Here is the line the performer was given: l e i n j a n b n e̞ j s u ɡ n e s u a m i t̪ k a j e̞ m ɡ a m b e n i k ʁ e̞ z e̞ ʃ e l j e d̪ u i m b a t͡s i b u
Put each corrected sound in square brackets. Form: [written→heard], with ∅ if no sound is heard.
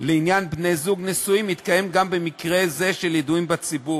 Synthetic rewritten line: l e i n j a n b n e̞ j [s→z] u ɡ n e s u [a→i] m i t̪ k a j e̞ m ɡ a m b e [n→m] i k ʁ e̞ z e̞ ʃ e l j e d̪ u i m b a t͡s i b u